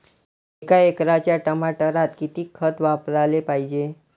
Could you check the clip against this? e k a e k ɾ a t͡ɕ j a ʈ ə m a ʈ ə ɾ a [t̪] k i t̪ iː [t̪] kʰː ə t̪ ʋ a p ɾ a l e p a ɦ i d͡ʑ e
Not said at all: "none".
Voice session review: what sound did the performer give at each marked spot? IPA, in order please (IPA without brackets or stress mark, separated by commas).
t̪, none